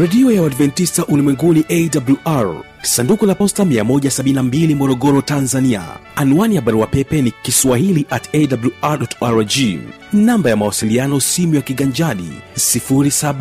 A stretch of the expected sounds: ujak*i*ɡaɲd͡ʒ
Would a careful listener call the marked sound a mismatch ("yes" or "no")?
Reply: no